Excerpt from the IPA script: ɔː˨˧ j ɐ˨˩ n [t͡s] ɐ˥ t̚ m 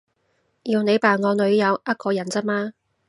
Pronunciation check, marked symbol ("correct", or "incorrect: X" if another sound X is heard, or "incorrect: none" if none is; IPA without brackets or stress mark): correct